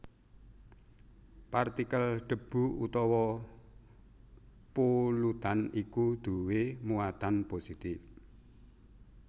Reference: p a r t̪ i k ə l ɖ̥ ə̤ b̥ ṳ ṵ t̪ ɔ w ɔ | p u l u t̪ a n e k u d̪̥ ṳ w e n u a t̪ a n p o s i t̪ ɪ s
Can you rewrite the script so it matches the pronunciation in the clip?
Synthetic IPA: p a r t̪ i k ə l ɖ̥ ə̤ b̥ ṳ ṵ t̪ ɔ w ɔ | p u l u t̪ a n i k u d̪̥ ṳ w e m u a t̪ a n p o s i t̪ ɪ f